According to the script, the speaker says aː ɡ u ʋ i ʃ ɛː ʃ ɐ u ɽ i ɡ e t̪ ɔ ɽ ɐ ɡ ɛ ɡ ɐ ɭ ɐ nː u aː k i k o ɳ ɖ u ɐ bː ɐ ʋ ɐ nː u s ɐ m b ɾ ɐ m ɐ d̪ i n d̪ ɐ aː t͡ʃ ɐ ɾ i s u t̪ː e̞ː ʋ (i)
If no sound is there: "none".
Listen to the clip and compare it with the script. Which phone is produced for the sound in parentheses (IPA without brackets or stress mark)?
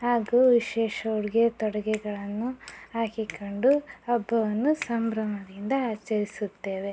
e